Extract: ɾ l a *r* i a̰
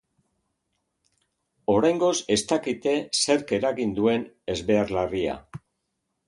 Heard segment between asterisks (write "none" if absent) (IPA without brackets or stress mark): r